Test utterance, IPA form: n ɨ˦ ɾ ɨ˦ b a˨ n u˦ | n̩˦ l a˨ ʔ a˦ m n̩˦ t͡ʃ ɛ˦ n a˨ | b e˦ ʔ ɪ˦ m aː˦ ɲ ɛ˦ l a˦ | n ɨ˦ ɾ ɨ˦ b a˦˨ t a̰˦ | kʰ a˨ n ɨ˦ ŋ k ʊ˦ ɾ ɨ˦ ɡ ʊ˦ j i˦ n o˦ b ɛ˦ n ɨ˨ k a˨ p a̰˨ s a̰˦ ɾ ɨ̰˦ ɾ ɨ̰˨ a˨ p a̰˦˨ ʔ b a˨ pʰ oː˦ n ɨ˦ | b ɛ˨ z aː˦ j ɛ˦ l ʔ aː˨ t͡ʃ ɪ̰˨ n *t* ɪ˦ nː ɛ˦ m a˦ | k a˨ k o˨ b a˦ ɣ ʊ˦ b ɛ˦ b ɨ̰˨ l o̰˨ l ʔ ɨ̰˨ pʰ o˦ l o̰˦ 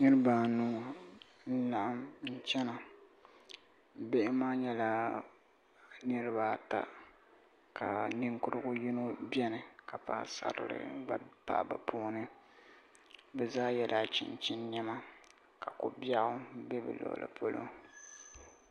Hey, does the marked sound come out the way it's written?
no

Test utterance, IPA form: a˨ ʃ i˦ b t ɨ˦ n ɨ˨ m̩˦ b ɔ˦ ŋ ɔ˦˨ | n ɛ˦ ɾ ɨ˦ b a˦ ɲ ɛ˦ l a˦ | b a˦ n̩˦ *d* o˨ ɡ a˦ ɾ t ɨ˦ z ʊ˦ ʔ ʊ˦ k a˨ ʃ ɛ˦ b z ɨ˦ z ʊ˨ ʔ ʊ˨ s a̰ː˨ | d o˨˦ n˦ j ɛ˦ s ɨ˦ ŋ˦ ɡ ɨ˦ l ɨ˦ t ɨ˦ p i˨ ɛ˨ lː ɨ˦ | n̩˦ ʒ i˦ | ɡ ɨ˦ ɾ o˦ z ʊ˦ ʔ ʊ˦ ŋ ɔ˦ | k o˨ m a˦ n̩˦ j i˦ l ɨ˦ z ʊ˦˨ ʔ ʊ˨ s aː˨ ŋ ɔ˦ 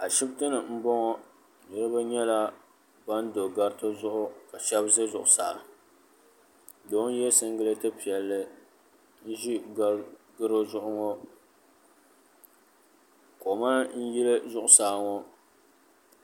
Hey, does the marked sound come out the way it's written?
yes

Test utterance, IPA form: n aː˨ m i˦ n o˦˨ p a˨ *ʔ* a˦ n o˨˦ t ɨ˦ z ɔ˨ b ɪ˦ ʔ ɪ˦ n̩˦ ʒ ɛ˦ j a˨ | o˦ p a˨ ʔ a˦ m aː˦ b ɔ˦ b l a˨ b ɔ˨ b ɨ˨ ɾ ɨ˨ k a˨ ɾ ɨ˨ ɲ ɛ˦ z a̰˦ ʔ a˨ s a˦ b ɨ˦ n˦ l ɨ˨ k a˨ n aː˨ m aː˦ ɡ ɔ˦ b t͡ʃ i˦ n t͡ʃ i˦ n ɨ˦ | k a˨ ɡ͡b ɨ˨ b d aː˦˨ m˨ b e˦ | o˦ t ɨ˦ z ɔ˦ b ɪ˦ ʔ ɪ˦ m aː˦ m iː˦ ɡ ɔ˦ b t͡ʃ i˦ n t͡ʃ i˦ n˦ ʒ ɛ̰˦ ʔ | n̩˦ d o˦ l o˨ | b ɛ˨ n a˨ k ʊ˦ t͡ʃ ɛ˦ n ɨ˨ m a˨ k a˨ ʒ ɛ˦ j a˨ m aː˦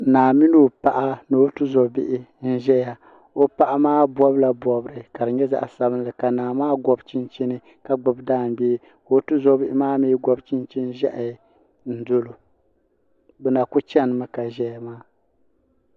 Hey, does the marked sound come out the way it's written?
yes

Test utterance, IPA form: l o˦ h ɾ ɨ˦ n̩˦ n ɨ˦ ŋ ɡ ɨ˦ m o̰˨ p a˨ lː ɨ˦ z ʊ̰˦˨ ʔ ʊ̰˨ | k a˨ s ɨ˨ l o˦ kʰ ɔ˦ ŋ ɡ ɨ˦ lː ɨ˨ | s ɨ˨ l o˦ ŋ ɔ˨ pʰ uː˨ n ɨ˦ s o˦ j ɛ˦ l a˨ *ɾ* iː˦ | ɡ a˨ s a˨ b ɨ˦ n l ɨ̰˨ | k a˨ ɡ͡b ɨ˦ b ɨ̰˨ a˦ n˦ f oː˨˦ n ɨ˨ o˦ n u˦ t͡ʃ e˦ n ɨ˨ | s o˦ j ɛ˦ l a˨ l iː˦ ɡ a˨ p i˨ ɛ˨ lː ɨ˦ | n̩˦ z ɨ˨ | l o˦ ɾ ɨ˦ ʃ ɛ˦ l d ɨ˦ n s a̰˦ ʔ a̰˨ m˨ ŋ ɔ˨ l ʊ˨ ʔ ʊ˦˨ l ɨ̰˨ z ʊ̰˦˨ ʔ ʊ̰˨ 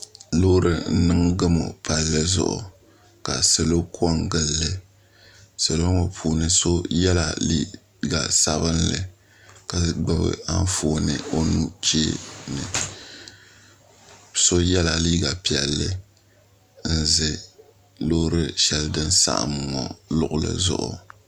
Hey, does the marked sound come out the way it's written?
no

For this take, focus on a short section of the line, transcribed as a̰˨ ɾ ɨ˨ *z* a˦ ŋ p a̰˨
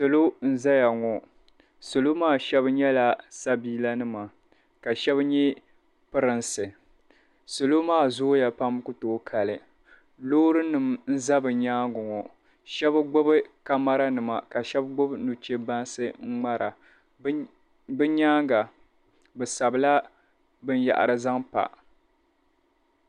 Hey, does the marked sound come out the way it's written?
yes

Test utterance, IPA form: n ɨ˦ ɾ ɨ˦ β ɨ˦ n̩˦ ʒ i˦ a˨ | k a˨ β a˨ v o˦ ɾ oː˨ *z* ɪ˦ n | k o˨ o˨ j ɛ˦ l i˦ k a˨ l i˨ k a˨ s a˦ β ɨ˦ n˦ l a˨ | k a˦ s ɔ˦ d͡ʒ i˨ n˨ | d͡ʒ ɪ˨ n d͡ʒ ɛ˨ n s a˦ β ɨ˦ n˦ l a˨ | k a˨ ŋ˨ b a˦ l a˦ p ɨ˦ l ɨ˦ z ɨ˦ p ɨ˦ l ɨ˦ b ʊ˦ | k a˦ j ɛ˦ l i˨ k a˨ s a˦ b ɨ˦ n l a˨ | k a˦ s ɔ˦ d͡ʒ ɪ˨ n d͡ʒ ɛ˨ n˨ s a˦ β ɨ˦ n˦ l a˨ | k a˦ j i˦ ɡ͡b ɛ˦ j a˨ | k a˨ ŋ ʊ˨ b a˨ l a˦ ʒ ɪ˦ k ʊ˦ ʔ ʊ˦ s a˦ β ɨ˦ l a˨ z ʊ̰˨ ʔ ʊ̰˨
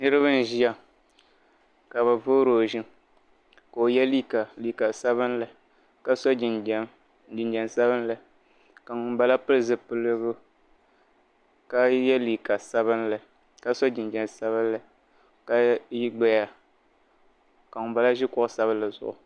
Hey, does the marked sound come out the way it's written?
no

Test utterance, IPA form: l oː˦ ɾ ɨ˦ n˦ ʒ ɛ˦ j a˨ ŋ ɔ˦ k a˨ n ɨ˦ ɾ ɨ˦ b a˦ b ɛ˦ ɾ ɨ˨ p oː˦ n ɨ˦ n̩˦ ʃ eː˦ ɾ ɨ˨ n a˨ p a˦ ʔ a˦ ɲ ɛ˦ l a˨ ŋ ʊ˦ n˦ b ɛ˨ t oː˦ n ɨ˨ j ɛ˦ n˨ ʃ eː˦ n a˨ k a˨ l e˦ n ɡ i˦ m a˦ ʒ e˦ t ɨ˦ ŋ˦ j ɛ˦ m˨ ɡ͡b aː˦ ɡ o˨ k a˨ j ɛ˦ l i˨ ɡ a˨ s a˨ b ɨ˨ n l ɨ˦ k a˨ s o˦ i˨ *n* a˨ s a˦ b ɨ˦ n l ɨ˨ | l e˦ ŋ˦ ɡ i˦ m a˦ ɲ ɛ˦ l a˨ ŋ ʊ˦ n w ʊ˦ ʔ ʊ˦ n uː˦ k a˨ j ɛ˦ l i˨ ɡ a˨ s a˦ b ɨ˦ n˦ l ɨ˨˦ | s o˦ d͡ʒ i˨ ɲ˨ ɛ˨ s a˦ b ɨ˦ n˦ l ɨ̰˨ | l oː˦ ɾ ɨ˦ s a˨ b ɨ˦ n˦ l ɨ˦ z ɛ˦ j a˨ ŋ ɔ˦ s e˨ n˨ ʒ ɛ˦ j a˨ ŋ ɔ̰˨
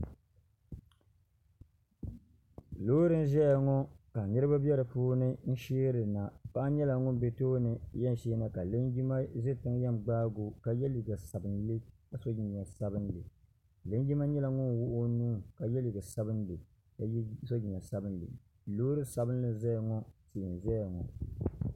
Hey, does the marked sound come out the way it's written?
no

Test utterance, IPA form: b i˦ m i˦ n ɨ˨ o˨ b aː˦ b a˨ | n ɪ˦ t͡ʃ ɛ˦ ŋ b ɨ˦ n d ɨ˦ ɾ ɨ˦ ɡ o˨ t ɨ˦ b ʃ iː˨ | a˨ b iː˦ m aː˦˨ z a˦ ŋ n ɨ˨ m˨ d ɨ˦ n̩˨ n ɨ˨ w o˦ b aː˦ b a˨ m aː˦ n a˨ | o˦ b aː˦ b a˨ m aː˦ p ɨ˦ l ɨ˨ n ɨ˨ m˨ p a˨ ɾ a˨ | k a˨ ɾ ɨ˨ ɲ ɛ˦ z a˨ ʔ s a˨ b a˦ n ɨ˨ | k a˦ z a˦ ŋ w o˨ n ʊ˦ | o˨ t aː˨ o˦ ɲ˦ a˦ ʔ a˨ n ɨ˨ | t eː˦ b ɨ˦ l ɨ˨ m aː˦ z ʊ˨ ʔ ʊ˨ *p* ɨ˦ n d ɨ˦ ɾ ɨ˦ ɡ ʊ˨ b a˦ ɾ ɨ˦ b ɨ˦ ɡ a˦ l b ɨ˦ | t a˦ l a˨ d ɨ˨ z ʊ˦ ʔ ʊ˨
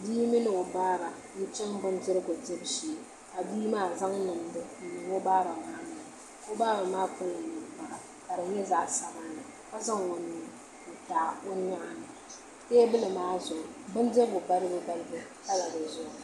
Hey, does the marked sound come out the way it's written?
no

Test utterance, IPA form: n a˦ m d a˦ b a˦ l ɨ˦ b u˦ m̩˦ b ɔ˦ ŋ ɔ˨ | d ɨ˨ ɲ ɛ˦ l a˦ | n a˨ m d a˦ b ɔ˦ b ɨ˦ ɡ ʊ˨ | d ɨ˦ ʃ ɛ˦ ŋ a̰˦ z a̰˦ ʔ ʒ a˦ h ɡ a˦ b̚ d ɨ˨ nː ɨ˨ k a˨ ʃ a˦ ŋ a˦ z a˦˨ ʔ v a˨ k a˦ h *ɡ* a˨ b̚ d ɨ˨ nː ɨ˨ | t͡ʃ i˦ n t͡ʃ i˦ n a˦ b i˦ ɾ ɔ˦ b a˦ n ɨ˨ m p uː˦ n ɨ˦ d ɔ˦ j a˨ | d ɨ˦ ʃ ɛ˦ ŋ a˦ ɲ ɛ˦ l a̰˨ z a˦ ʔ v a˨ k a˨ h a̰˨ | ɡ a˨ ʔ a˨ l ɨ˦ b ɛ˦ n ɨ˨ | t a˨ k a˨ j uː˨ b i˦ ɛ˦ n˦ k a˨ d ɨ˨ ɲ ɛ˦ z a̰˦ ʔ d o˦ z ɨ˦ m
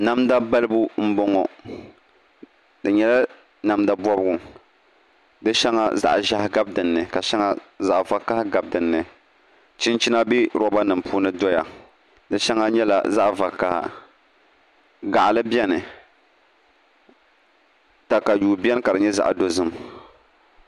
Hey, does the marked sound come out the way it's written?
yes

